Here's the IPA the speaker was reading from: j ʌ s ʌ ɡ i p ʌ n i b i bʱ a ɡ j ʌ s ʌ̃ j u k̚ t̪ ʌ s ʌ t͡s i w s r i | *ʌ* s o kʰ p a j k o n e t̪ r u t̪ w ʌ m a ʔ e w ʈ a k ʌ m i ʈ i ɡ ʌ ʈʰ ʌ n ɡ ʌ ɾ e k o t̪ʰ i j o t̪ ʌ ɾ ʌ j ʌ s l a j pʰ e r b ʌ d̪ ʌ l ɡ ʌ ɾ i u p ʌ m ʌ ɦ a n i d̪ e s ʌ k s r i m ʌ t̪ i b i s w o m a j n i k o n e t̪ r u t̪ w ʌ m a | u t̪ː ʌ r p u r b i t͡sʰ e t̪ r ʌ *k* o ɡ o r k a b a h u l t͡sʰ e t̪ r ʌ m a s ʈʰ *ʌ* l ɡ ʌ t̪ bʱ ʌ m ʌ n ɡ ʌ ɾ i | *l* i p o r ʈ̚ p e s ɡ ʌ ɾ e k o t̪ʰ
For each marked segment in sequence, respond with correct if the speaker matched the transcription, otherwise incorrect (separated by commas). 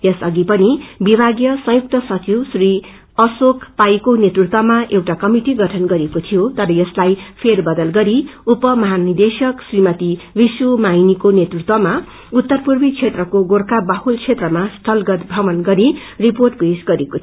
correct, correct, correct, incorrect